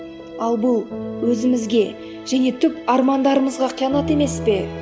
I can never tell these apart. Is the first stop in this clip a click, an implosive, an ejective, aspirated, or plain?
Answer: plain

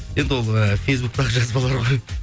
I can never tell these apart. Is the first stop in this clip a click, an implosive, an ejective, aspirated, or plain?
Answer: plain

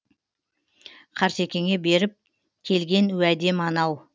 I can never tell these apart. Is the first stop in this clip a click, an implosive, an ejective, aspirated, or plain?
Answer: aspirated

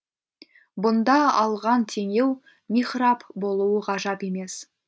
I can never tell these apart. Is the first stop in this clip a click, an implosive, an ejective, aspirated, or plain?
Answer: plain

